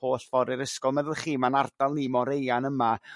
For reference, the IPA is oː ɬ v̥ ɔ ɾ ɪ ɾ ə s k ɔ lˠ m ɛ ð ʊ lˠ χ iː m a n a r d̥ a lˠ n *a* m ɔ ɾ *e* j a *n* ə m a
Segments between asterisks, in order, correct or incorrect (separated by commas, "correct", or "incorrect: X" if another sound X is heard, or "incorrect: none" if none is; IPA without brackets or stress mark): incorrect: i, correct, correct